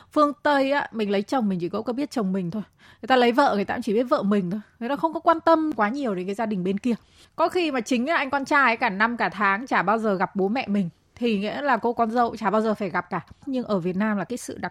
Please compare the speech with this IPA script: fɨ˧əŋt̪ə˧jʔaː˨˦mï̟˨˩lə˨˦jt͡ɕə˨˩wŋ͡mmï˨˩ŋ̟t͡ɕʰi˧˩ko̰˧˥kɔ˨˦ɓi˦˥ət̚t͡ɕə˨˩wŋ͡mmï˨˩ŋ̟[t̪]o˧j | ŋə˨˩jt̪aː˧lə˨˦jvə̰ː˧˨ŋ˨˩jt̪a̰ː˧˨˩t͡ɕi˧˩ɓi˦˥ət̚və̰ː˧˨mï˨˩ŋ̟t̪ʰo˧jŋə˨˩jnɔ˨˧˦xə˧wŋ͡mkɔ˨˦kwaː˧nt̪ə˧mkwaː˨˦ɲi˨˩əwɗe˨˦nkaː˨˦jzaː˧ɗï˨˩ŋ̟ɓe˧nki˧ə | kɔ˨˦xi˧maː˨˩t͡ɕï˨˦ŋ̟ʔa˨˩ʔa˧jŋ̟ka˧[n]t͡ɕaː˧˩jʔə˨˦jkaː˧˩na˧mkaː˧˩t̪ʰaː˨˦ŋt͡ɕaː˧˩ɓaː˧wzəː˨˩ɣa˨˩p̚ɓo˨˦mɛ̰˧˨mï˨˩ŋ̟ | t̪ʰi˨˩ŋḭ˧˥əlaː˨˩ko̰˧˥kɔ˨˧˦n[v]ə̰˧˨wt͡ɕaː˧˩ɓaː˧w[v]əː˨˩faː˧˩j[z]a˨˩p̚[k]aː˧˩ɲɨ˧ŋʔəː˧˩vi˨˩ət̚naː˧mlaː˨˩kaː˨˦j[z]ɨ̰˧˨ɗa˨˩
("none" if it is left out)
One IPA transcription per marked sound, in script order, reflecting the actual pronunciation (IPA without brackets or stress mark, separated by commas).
t̪ʰ, n, z, z, ɣ, k, s